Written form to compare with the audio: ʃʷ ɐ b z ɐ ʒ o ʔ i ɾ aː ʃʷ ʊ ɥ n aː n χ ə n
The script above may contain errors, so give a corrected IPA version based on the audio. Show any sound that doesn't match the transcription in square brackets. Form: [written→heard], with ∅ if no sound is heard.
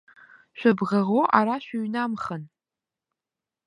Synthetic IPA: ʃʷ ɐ b [z→ʁ] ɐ [ʒ→ʁ] o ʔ [i→a] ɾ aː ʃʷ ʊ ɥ n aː [n→m] χ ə n